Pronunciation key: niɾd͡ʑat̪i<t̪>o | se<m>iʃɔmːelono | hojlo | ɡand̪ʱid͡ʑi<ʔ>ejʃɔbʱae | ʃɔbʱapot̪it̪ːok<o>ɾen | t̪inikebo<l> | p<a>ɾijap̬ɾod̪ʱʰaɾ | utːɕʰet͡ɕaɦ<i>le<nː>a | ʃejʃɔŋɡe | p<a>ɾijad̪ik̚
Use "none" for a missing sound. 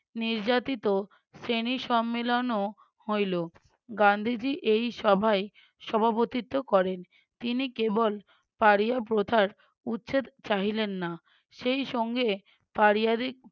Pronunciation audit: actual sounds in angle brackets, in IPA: t̪, n, ʔ, ɔ, l, a, i, nː, a

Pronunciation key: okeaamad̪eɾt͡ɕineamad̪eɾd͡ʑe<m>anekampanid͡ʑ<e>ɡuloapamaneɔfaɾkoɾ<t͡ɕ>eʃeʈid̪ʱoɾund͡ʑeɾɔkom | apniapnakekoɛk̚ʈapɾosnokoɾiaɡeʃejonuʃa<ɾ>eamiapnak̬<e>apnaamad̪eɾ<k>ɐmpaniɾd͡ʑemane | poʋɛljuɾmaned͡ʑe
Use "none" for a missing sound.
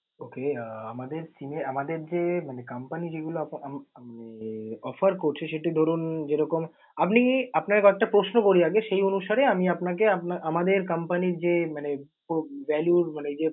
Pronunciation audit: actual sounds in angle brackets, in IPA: m, e, t͡ɕʰ, ɾ, e, k

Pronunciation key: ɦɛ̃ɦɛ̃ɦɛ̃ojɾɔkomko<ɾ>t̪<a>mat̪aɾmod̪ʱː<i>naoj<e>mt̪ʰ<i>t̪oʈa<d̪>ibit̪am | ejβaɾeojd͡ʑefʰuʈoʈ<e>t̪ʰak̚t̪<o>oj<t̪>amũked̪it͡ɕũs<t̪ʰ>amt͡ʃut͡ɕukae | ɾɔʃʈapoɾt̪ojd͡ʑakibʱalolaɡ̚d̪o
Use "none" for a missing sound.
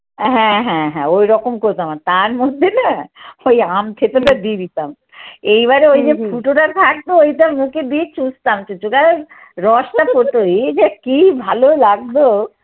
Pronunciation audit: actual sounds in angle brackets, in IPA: ɾ, a, e, a, e, d̪, a, o, t̪, t̪

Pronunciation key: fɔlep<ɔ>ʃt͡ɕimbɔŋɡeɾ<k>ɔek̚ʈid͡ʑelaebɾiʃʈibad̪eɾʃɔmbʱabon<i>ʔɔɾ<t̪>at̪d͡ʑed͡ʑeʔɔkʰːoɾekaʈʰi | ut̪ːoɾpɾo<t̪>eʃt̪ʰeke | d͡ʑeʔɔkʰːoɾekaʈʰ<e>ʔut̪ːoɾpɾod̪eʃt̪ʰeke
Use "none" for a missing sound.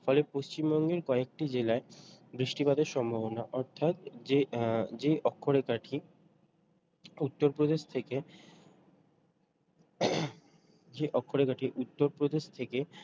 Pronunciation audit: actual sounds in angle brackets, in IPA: o, k, a, t̪ʰ, d̪, i

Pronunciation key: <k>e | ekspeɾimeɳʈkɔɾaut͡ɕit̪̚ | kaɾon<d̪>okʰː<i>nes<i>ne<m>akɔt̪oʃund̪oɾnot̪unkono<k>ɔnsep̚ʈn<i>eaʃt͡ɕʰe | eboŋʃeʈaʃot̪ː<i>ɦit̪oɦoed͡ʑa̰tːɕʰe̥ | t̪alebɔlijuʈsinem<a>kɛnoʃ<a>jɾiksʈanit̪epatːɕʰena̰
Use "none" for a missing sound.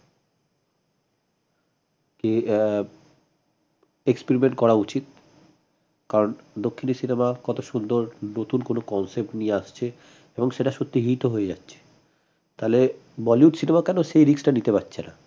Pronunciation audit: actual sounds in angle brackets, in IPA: k, d̪, i, i, m, k, i, i, a, e

